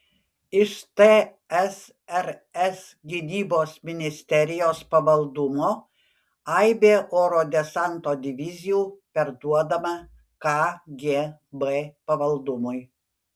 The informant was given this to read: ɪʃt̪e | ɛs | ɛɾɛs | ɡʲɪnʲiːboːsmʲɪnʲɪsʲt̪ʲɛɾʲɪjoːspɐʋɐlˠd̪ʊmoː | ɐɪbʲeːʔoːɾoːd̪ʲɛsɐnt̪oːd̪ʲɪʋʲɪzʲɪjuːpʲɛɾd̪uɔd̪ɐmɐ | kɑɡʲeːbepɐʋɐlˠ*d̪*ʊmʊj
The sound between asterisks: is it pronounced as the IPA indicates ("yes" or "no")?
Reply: yes